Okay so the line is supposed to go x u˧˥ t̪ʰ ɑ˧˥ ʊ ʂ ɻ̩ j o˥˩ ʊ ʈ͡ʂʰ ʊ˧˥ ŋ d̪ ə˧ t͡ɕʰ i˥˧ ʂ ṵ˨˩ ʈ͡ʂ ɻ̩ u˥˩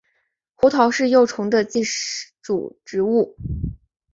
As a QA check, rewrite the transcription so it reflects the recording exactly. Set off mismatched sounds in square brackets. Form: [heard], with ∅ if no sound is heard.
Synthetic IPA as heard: x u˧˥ t̪ʰ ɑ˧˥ ʊ ʂ ɻ̩ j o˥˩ ʊ ʈ͡ʂʰ ʊ˧˥ ŋ d̪ ə˧ [t͡ɕ] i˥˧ [ʈ͡ʂ] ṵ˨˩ ʈ͡ʂ ɻ̩ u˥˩